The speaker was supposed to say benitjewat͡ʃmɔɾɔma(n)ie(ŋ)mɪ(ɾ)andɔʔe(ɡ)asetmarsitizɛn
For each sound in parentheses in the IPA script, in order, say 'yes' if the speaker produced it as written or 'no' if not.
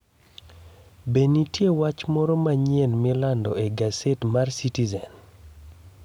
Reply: no, no, no, yes

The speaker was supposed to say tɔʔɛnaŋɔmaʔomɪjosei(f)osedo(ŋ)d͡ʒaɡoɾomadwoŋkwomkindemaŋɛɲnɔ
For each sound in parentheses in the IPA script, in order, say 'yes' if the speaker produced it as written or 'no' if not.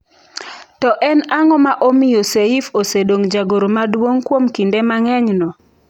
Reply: yes, yes

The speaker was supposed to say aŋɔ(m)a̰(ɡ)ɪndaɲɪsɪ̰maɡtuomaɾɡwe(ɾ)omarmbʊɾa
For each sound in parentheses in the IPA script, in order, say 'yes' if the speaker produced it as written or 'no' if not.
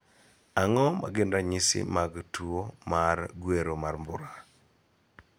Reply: yes, yes, yes

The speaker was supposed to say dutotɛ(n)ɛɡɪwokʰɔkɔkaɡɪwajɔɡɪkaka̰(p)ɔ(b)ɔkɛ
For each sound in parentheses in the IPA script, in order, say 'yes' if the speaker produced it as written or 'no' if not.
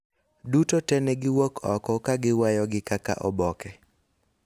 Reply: yes, no, yes

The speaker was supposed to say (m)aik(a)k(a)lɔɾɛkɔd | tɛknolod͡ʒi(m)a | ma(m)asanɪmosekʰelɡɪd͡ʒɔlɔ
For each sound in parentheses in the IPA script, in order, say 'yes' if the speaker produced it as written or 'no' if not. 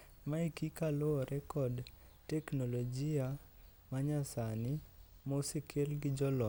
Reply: yes, no, yes, no, no

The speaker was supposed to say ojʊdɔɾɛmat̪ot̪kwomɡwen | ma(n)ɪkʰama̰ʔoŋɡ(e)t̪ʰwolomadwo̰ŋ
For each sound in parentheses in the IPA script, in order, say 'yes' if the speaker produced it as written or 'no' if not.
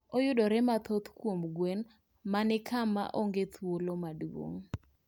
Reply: yes, yes

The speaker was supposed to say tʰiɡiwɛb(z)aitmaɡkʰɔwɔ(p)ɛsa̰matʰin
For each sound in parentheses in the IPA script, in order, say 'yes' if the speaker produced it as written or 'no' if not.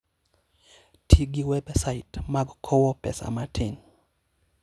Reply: no, yes

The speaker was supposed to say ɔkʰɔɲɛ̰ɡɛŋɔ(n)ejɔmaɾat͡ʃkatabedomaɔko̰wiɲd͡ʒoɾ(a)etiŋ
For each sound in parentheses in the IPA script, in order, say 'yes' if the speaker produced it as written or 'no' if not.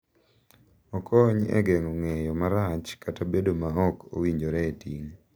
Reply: no, no

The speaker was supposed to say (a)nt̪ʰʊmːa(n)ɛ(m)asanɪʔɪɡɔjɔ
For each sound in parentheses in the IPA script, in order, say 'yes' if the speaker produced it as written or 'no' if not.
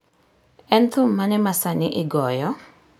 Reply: no, yes, yes

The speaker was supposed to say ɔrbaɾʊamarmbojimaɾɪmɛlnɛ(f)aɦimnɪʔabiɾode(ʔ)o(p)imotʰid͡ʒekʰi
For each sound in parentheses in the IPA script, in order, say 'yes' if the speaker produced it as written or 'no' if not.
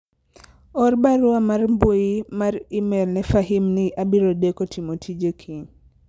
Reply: yes, no, no

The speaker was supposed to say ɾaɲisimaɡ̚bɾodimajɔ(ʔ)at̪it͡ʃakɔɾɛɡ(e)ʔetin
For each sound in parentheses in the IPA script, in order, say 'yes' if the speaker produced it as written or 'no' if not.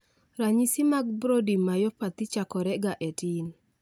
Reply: no, no

